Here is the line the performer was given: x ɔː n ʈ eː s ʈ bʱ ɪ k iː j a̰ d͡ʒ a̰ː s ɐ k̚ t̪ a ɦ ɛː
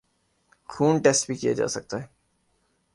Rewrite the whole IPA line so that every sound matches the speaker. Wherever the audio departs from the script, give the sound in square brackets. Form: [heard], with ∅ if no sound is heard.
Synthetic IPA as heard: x [uː] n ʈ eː s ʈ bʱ [i] k [i] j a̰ d͡ʒ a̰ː s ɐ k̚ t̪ a ɦ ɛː